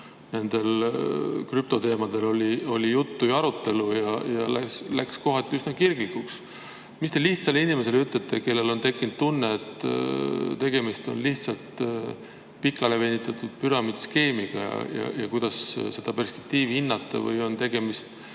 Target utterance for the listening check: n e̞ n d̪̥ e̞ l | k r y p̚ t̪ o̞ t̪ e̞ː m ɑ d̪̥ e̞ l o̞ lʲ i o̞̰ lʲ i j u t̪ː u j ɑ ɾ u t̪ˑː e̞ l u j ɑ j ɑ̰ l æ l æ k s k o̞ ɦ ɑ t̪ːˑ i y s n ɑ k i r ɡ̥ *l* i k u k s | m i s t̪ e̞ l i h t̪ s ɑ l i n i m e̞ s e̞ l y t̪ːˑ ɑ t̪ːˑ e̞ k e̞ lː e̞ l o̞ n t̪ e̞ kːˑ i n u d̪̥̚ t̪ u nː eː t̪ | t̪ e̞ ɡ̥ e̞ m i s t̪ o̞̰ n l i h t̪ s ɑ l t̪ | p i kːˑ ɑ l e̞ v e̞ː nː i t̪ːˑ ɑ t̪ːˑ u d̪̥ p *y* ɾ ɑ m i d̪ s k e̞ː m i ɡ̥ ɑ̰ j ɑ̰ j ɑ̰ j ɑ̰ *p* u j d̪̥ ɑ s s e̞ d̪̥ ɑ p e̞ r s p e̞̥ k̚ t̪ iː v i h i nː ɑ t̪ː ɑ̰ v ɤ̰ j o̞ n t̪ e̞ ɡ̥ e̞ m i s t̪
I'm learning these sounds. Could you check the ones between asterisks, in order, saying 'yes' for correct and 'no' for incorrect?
yes, yes, no

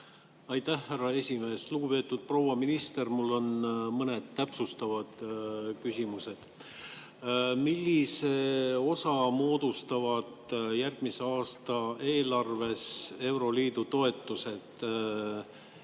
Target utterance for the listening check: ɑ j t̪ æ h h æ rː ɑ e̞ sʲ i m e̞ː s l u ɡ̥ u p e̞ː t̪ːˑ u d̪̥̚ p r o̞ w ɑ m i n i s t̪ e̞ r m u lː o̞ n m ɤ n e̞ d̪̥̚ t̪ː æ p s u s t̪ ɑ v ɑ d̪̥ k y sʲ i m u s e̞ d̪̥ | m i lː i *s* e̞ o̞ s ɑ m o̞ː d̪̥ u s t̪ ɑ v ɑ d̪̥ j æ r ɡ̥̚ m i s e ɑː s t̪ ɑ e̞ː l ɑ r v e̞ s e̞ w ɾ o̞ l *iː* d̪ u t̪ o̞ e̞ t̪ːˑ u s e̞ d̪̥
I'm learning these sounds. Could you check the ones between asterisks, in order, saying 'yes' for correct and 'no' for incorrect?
yes, yes

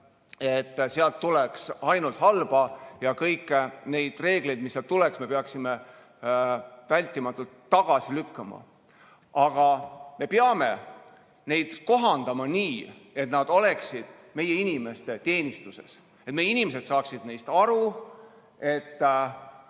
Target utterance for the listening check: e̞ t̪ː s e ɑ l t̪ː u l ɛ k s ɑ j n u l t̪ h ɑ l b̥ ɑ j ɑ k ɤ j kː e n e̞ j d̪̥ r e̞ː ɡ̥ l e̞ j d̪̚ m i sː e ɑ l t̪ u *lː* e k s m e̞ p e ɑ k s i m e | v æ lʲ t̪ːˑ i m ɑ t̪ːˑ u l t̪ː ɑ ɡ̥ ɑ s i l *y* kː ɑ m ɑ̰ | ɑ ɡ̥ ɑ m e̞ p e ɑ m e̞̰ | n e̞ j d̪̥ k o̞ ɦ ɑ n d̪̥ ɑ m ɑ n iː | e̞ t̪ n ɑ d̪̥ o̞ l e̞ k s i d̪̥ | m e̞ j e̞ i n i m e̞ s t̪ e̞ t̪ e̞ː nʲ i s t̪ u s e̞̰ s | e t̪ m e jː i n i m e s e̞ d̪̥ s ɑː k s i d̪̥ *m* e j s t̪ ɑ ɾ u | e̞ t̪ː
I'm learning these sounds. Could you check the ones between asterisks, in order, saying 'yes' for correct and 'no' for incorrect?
no, yes, no

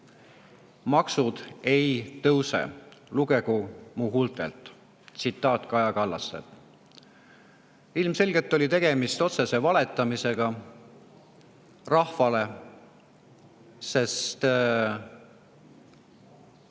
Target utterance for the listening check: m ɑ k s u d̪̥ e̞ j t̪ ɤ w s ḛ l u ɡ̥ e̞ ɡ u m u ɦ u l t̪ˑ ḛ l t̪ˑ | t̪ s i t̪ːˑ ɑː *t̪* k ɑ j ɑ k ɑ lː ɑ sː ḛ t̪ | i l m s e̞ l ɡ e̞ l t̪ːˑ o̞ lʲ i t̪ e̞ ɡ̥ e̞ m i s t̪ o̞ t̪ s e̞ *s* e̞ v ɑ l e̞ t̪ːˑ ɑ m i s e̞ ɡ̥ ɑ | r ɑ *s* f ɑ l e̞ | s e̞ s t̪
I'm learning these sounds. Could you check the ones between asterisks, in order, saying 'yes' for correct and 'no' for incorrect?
yes, yes, no

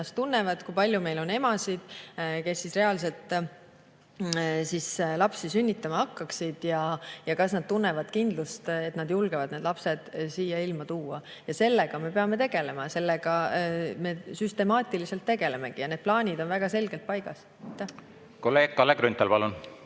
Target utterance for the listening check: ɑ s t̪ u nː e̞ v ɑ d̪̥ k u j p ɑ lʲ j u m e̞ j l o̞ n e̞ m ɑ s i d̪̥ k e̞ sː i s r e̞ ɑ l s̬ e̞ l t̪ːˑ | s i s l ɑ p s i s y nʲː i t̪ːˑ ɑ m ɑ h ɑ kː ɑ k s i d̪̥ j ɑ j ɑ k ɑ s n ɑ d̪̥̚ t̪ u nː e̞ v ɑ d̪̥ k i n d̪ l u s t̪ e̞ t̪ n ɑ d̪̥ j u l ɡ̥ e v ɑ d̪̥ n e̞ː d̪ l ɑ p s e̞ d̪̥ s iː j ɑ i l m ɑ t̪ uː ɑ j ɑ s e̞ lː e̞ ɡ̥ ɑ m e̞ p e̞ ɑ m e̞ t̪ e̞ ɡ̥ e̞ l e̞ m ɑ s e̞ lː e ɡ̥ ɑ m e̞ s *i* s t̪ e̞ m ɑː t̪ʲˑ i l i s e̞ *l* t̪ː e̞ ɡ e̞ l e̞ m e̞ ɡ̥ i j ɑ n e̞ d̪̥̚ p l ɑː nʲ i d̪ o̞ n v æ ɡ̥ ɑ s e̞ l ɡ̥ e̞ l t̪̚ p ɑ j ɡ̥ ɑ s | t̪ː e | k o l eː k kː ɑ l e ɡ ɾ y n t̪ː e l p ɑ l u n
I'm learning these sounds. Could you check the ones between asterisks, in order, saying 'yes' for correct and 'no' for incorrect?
no, yes

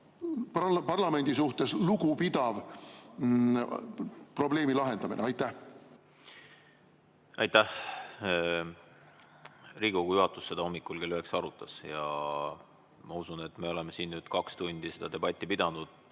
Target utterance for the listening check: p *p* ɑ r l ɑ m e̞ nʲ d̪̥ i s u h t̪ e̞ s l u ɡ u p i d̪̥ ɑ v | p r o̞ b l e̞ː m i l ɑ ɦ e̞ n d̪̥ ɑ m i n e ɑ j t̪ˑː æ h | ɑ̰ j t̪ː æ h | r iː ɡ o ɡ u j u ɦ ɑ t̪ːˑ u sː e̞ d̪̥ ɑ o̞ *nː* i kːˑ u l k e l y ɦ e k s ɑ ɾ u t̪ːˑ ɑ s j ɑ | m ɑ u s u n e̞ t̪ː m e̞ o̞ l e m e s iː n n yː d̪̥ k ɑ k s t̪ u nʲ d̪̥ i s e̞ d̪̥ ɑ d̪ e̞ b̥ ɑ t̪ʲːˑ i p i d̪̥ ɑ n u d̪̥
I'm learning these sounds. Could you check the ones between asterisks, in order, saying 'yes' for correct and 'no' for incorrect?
yes, no

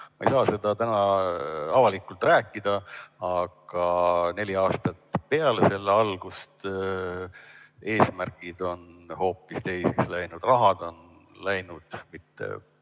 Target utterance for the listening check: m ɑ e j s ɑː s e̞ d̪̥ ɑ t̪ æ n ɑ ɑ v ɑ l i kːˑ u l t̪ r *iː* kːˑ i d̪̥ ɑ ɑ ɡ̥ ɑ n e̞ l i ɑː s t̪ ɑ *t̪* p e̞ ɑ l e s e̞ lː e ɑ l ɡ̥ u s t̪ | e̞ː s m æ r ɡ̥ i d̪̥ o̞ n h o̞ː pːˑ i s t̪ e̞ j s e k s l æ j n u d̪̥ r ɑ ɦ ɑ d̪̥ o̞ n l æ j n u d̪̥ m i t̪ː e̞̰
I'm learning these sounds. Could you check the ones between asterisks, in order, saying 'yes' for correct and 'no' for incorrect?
no, yes

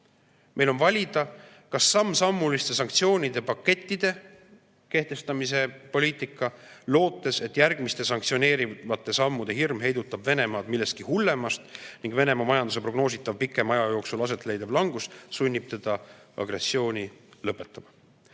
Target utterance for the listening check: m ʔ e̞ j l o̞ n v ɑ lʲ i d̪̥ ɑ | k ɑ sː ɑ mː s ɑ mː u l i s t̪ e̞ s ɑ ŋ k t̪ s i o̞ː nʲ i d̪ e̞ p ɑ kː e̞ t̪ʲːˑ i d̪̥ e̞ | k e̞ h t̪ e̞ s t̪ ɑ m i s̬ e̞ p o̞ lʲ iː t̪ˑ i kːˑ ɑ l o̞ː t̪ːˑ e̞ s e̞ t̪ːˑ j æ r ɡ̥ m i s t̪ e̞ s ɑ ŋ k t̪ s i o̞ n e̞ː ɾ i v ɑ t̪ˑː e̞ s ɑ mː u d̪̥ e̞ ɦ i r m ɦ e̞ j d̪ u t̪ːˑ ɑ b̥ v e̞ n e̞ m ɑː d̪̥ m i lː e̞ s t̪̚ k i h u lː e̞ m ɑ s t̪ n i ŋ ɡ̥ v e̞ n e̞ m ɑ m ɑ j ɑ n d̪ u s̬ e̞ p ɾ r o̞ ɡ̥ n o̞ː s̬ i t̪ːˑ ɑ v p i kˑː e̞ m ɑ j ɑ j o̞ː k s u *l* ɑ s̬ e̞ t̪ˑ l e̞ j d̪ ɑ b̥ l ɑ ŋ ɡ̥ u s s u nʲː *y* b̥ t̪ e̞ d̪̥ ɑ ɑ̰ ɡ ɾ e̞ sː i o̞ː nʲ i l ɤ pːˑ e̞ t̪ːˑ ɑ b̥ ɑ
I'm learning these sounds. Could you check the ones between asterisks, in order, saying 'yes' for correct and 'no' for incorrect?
yes, no

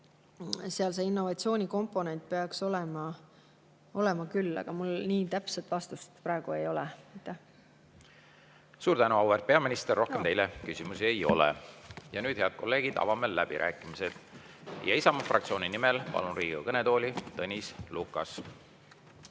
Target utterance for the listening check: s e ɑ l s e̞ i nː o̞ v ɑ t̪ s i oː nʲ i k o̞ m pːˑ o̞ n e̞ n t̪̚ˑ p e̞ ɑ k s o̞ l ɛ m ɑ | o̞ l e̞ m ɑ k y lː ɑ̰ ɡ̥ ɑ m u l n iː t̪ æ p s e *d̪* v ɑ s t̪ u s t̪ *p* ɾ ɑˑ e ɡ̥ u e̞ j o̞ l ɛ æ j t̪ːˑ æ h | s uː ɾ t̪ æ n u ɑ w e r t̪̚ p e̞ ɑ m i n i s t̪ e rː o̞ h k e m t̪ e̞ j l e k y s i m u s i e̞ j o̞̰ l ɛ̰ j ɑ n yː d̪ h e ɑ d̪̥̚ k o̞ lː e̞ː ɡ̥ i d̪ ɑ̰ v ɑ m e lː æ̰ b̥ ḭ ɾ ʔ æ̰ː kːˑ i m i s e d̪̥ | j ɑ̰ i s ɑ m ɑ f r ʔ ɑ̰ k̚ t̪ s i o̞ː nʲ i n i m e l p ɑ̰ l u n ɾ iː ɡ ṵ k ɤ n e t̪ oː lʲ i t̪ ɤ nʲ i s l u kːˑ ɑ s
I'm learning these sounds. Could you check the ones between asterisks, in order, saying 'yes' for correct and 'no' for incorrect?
no, yes

